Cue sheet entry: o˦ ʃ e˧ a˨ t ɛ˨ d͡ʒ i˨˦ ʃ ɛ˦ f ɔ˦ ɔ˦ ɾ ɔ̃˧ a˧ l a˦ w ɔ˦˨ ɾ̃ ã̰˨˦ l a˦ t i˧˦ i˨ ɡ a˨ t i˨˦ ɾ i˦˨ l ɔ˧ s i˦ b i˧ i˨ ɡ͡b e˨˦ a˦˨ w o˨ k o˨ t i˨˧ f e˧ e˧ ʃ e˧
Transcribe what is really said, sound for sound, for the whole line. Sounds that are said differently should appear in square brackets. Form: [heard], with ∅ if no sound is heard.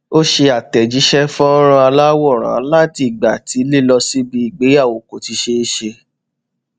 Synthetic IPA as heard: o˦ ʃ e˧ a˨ t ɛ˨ d͡ʒ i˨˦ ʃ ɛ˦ f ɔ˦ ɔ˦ ɾ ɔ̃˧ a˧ l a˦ w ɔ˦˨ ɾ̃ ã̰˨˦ l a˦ t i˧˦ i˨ [ɡ͡b] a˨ t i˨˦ [l] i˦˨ l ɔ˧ s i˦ b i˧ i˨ ɡ͡b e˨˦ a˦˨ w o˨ k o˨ t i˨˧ [ʃ] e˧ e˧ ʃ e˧